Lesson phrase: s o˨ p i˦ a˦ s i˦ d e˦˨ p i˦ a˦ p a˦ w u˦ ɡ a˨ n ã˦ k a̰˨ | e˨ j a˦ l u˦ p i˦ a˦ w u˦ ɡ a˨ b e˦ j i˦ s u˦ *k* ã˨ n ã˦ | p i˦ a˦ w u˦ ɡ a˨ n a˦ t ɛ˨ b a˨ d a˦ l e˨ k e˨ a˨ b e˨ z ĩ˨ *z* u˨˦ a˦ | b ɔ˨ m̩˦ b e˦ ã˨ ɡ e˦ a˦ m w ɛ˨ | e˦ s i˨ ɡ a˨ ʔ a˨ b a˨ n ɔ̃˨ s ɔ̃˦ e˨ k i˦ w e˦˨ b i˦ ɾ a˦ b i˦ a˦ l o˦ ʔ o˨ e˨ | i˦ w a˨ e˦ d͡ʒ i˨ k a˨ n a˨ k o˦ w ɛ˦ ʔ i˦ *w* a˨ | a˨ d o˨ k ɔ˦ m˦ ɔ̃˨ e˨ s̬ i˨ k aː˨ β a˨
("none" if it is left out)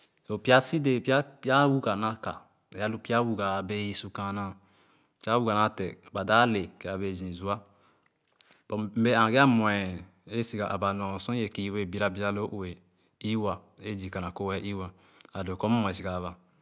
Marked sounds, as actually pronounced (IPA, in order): k, z, w

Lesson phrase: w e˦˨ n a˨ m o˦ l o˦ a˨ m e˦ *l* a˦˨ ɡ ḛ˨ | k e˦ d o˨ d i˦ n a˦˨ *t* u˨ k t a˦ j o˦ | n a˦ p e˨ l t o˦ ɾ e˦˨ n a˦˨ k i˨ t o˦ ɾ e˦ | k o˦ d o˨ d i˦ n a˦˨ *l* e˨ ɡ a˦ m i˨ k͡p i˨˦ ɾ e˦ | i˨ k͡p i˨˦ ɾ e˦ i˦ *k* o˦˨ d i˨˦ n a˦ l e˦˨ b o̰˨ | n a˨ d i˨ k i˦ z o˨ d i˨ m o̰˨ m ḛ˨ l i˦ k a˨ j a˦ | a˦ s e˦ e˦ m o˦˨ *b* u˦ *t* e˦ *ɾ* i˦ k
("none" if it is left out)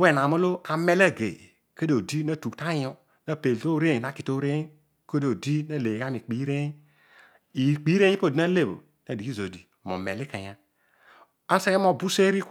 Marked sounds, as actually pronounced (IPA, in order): l, t, l, p, b, s, ɾ

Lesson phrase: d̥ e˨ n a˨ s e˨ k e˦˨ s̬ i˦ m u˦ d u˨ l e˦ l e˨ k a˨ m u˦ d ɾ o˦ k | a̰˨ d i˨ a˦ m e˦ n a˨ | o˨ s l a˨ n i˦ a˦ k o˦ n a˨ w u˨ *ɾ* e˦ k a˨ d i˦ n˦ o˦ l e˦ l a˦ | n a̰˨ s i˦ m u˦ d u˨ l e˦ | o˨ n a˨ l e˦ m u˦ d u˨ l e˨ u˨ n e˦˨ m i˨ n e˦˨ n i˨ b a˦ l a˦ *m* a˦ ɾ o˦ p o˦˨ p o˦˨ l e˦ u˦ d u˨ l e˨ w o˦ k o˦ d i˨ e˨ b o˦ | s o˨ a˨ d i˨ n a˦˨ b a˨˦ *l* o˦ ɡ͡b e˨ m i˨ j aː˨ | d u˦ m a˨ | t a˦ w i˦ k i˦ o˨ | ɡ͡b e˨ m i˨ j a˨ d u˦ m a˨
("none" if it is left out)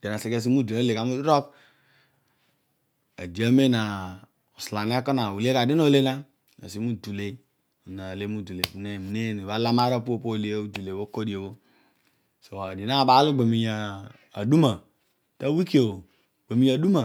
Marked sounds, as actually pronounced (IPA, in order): l, m, l

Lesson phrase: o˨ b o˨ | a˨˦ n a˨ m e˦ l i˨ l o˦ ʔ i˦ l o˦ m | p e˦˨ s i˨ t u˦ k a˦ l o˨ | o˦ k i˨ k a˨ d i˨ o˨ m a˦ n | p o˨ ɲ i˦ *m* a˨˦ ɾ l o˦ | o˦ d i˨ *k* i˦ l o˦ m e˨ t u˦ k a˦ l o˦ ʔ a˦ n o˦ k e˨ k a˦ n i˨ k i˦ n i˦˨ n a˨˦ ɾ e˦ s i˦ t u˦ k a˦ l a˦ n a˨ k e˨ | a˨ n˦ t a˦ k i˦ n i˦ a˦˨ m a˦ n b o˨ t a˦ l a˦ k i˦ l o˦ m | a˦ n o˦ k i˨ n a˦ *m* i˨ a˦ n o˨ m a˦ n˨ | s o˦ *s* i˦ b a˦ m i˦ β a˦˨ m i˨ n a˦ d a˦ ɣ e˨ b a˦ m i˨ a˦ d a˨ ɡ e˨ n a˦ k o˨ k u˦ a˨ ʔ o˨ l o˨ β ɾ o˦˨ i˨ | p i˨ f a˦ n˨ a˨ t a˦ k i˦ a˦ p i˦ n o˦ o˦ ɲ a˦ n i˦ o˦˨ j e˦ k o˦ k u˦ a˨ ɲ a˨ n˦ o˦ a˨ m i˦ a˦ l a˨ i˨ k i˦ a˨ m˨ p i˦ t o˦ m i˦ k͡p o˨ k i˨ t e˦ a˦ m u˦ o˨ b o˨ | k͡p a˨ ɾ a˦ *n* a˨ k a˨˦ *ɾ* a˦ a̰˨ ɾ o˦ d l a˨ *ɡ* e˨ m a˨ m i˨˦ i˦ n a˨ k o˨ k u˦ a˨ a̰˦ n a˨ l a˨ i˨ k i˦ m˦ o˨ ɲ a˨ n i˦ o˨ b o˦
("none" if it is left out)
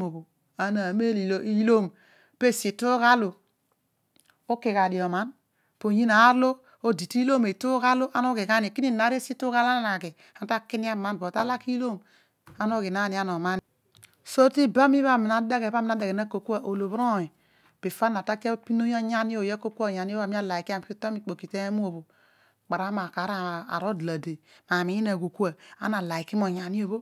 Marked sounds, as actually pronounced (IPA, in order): n, t, n, t, m, ɾ, d

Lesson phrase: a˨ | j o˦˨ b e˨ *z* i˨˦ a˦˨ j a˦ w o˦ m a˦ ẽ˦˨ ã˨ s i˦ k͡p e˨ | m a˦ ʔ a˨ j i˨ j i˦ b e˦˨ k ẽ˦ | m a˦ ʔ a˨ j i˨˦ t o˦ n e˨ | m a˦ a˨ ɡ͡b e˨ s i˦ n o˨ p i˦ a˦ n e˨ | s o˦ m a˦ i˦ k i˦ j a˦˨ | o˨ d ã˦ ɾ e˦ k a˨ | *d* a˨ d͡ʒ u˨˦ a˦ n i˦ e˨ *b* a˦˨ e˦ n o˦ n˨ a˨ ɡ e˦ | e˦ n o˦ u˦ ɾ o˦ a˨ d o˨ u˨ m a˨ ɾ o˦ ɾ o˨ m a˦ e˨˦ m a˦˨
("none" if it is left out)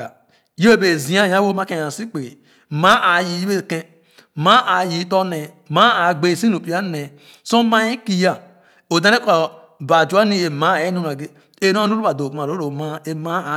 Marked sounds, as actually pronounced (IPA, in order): z, b, m

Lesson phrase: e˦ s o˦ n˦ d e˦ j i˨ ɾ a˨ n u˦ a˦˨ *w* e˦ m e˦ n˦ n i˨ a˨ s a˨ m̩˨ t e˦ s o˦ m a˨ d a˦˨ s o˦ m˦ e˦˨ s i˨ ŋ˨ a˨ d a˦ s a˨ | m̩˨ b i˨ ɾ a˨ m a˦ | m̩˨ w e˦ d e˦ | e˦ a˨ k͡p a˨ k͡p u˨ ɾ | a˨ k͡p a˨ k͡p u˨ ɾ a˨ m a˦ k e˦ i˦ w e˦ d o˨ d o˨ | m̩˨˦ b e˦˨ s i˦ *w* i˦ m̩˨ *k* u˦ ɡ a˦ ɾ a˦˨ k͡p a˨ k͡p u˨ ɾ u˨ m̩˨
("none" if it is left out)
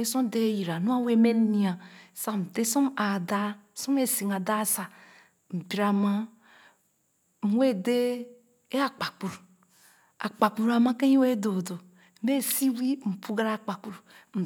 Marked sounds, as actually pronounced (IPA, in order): w, w, p

